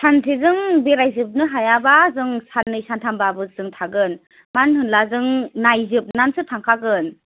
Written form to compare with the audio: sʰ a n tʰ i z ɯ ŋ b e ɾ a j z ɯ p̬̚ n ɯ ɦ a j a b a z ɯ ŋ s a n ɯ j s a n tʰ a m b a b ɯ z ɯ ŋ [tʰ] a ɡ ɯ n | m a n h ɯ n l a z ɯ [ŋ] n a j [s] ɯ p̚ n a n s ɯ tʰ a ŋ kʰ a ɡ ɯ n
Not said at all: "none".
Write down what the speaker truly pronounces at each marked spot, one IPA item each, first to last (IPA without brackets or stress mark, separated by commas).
tʰ, ŋ, z